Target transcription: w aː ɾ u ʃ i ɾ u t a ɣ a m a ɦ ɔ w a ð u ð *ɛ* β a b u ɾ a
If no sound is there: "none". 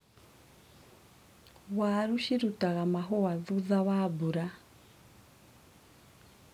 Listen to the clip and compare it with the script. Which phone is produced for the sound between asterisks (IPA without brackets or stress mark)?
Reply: a